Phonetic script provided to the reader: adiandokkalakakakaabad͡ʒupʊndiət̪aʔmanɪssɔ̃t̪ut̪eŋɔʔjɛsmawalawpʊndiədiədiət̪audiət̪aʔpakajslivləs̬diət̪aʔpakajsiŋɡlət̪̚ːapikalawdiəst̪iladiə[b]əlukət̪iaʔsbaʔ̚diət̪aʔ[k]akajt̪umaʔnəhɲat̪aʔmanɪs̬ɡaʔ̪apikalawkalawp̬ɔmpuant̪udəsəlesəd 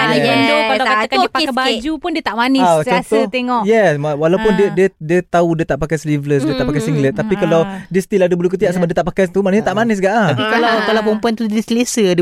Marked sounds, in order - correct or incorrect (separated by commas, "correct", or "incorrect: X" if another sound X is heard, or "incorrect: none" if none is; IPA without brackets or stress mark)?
correct, incorrect: p